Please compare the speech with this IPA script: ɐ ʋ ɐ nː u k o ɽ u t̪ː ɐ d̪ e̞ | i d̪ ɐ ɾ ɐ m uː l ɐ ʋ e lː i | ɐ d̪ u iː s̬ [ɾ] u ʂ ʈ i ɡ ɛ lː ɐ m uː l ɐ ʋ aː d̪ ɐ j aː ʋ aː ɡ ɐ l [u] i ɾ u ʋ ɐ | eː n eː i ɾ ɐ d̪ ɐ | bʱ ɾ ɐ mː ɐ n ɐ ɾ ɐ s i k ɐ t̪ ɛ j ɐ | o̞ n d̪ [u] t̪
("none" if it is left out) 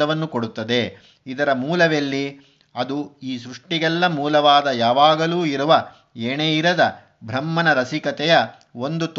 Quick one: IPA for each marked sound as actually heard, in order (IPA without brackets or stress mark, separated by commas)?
ɾ, uː, u